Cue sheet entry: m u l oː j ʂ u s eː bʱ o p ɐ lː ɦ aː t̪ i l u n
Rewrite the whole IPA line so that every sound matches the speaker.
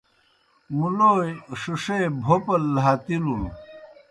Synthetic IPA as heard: m u l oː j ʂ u ʂ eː bʱ o p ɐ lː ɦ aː t̪ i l u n